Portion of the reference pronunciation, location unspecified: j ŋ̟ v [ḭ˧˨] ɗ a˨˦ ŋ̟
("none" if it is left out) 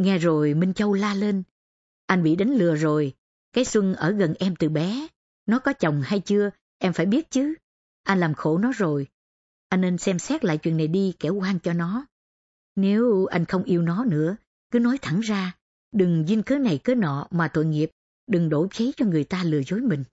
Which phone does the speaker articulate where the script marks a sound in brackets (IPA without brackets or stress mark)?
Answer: ḭ˧˨